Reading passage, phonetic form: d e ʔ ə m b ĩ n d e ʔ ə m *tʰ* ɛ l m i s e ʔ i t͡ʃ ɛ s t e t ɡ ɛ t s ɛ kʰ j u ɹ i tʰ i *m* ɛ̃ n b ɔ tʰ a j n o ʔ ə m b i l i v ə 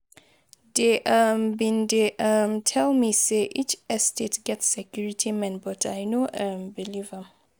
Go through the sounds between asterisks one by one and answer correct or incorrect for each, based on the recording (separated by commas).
correct, correct